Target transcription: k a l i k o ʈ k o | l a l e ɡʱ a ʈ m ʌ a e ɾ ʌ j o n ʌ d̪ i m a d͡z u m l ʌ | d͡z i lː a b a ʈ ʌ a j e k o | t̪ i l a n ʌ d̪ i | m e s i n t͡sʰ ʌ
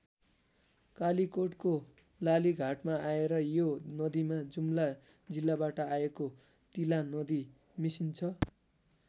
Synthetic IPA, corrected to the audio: k a l i k o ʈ k o | l a l i ɡʱ a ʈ m a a e ɾ ʌ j o n ʌ d̪ i m a d͡z u m l a | d͡z i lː a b a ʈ ʌ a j e k o | t̪ i l a n ʌ d̪ i | m i s i n t͡sʰ ʌ